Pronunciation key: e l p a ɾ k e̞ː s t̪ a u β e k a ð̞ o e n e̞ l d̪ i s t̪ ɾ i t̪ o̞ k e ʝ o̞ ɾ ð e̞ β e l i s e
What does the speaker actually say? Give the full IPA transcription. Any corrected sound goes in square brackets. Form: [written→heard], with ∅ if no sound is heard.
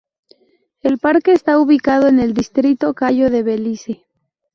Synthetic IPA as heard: e l p a ɾ k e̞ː s t̪ a u β [e→i] k a ð̞ o e n e̞ l d̪ i s t̪ ɾ i t̪ o̞ k [e→a] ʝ o̞ [ɾ→∅] ð e̞ β e l i s e